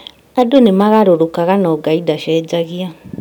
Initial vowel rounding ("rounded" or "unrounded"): unrounded